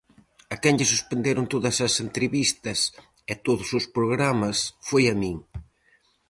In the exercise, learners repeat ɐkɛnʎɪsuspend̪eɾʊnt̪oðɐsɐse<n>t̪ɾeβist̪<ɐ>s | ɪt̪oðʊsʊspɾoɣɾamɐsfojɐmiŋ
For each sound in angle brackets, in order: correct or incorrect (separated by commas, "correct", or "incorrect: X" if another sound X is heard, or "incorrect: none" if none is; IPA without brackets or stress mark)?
correct, correct